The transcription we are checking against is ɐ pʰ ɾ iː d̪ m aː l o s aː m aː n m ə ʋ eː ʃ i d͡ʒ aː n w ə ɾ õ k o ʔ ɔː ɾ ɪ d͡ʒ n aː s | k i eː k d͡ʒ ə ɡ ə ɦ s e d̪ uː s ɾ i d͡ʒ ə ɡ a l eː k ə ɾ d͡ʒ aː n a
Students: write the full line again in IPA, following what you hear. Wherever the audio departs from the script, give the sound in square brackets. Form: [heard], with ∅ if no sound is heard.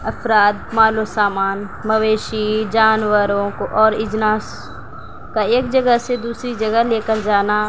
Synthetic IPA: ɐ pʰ ɾ [aː] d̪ m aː l o s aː m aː n m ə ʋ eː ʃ i d͡ʒ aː n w ə ɾ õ k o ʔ ɔː ɾ ɪ d͡ʒ n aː s | k [a] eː k d͡ʒ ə ɡ ə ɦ s e d̪ uː s ɾ i d͡ʒ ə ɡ [ə] l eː k ə ɾ d͡ʒ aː n a